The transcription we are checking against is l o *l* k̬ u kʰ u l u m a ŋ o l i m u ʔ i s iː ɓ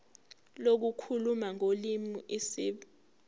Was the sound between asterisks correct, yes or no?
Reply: no